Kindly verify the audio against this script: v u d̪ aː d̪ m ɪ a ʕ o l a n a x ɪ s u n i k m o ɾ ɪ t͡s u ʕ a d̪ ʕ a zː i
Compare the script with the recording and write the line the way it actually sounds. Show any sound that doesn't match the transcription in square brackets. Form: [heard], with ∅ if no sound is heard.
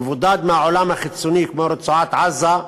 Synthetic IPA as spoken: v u d̪ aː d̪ m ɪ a ʕ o l a [m] a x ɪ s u n i k m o ɾ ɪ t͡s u ʕ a [t̪] ʕ a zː [a]